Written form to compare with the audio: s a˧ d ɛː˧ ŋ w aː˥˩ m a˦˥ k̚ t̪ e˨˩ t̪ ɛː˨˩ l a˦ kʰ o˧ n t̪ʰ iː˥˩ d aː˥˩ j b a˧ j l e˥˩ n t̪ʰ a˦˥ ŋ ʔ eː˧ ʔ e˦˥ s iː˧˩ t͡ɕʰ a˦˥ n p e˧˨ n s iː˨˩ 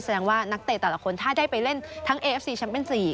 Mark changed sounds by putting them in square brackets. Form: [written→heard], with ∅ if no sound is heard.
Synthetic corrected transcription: s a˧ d ɛː˧ ŋ w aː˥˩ [m→n] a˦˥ k̚ t̪ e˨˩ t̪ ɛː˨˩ l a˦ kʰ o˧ n t̪ʰ [iː˥˩→aː˥˩] d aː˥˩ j [b→p] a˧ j l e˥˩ n t̪ʰ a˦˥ ŋ ʔ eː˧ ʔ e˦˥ s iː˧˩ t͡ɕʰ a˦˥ n p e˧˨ n s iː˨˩